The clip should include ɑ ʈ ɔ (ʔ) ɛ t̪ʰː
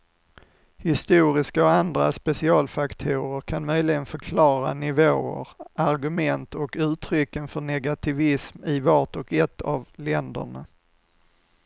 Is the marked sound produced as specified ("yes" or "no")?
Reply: no